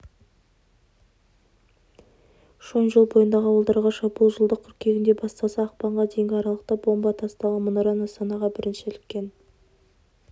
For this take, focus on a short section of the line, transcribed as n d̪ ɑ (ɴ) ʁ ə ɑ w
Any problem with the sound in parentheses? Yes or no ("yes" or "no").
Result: yes